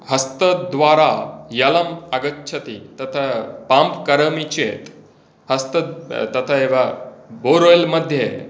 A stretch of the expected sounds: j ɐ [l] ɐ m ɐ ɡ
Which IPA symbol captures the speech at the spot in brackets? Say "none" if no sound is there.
l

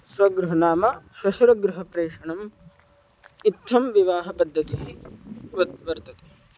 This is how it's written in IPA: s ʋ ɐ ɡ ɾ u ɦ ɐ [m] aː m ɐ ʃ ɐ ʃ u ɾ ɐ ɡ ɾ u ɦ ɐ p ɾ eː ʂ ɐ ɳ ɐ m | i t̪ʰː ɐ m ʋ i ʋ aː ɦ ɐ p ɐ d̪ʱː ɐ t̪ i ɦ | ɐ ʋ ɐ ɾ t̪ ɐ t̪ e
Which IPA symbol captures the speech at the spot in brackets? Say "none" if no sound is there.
n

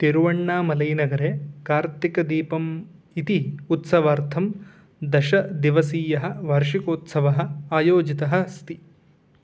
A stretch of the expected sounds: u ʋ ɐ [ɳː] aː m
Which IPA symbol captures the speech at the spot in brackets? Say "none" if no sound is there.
ɳː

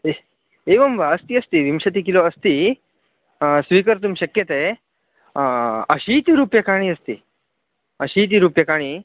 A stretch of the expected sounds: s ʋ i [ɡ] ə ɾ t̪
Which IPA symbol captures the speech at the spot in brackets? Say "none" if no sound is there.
k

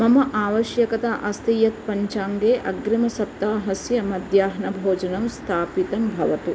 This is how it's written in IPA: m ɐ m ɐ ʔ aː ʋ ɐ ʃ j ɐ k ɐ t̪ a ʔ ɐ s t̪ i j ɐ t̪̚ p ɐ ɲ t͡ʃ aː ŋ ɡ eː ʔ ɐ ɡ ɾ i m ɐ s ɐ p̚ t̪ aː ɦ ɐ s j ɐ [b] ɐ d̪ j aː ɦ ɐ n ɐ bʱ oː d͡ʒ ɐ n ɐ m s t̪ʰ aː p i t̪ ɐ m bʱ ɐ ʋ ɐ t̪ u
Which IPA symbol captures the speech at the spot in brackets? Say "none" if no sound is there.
m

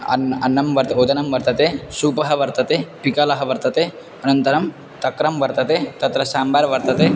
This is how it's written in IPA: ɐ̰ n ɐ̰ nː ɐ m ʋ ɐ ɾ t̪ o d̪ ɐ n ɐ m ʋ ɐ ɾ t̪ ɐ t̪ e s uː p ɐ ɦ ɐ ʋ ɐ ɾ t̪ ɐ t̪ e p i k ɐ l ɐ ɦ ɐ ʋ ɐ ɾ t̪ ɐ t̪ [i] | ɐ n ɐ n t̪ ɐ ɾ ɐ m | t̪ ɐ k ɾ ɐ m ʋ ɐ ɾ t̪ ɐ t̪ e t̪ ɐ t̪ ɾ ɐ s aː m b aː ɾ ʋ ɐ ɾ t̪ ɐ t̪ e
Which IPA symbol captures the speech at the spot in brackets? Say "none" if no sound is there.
e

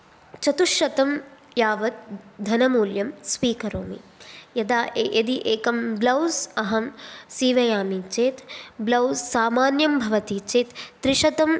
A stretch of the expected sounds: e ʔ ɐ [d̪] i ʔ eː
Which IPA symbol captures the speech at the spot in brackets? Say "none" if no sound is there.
d̪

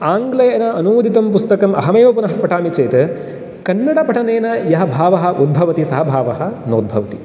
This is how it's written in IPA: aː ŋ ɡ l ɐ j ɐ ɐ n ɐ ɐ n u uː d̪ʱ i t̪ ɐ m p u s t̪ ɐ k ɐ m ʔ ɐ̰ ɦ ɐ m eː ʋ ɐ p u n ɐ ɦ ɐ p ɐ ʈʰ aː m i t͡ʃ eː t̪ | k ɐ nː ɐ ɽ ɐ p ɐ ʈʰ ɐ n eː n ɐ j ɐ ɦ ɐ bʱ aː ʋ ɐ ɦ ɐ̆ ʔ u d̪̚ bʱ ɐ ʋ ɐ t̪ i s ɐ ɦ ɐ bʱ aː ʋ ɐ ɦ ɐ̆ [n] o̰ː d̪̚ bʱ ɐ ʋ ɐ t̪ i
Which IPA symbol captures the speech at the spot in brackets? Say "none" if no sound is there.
n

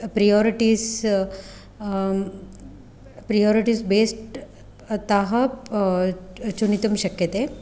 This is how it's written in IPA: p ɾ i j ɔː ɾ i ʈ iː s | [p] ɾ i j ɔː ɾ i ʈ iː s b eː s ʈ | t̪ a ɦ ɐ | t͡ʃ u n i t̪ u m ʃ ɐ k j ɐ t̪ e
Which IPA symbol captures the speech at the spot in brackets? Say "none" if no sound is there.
p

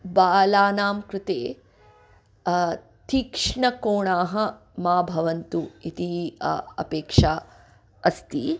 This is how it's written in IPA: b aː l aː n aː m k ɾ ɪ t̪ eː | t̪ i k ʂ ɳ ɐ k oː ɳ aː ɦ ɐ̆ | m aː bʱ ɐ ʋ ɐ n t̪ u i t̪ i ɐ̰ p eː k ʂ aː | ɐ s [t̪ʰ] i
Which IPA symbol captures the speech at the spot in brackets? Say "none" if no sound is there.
t̪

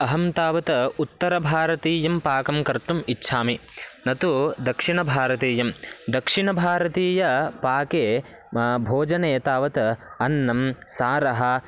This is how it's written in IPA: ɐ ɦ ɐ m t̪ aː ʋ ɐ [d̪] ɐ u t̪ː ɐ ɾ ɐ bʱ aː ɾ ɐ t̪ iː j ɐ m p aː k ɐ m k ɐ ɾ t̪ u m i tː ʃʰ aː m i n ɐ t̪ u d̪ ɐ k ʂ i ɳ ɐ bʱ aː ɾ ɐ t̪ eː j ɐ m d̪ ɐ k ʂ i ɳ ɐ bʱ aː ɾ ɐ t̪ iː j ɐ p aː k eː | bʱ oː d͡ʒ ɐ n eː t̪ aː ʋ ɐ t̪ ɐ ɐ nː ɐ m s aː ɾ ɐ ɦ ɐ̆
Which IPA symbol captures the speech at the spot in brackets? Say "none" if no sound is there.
t̪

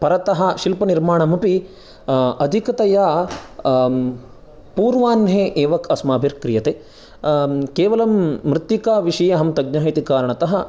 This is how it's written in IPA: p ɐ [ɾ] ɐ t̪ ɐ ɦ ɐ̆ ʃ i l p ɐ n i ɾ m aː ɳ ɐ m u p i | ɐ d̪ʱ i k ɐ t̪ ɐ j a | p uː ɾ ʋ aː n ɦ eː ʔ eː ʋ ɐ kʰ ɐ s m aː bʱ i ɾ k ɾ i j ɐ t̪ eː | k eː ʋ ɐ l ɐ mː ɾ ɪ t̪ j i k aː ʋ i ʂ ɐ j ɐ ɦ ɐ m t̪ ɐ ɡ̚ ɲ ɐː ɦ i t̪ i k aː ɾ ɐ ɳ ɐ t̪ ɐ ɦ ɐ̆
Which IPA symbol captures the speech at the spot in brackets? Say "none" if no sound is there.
ɾ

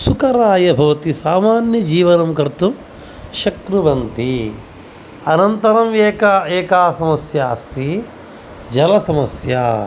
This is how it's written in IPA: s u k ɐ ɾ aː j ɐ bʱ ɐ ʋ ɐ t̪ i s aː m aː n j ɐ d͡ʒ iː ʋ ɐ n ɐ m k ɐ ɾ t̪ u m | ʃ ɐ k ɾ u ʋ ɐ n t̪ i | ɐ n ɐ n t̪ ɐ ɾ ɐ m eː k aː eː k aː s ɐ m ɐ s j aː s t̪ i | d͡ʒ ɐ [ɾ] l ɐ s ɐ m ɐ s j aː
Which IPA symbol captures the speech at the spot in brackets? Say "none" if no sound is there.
none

